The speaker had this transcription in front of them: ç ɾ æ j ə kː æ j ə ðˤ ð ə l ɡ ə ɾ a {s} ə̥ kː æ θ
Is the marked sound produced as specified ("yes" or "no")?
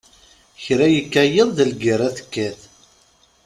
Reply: no